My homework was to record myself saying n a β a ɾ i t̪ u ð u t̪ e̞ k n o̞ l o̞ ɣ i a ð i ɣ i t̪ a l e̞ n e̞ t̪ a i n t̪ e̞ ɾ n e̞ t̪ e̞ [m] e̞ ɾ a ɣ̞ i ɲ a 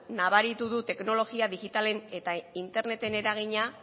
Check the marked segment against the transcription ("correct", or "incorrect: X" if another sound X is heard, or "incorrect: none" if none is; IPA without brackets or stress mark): incorrect: n